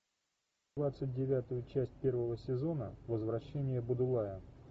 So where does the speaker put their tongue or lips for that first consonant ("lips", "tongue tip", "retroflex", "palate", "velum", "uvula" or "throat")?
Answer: lips